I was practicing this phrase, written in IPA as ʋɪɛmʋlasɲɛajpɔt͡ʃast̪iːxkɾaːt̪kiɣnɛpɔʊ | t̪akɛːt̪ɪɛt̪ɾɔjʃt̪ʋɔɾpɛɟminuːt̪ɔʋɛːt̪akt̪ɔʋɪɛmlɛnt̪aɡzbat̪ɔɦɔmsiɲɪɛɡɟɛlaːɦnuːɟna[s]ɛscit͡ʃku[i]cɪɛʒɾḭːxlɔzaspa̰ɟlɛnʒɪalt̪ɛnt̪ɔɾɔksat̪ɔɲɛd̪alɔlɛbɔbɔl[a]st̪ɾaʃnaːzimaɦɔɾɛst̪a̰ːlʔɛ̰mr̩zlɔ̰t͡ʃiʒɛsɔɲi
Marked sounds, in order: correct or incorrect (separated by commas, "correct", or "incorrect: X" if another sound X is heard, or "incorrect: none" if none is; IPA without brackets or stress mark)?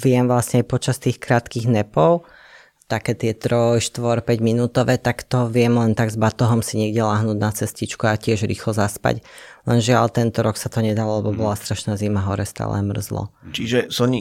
incorrect: t͡s, incorrect: a, correct